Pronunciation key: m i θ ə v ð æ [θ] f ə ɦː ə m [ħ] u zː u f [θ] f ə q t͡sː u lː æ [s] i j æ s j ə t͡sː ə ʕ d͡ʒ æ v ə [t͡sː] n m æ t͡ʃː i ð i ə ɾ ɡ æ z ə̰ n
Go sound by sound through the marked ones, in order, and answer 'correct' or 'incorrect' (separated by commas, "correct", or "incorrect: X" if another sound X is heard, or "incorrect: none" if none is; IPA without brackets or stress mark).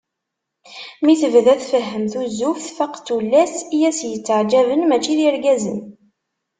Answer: correct, incorrect: θ, correct, correct, incorrect: none